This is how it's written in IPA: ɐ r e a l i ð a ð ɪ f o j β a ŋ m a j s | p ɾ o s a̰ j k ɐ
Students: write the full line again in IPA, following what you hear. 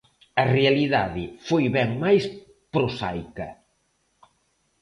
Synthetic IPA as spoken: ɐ r e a l i ð a ð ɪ f o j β ɛ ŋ m a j s | p ɾ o s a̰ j k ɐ